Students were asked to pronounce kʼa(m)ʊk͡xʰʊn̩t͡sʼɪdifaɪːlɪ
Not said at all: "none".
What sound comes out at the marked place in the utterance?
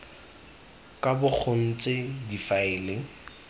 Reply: b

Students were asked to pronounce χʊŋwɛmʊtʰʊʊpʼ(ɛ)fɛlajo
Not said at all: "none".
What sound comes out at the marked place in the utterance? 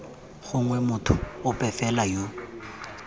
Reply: ɛ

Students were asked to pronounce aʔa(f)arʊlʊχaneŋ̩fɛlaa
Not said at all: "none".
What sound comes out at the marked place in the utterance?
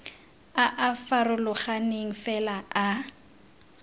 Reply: f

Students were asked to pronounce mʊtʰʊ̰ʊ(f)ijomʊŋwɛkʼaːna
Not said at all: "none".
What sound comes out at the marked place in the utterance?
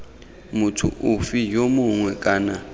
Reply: f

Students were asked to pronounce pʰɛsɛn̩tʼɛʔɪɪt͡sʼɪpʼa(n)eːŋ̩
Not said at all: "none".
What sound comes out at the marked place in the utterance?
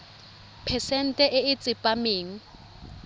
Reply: m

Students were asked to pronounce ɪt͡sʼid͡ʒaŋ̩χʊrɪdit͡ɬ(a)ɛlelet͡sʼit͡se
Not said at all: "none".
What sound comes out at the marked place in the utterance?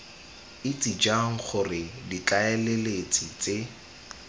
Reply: a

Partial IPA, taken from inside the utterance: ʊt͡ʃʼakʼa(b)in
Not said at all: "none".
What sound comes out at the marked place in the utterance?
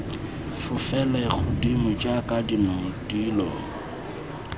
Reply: d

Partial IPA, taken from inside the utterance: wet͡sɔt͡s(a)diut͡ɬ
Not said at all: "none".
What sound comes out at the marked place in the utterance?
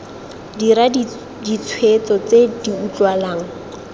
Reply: e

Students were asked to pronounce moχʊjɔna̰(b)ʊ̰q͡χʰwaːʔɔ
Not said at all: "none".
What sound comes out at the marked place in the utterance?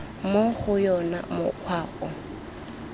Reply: m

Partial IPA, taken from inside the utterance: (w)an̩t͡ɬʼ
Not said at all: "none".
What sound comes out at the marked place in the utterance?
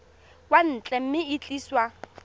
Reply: w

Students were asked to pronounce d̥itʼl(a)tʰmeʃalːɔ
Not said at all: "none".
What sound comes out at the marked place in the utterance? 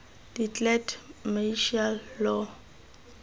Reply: ɛ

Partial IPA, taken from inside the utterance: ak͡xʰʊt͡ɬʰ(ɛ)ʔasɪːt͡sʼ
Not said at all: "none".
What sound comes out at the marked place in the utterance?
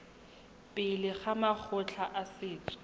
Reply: a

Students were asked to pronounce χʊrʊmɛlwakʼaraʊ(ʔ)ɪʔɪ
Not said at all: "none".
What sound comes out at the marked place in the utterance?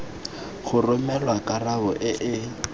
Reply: ʔ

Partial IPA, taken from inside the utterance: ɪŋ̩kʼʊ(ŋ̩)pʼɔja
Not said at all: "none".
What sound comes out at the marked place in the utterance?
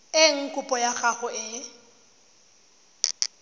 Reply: none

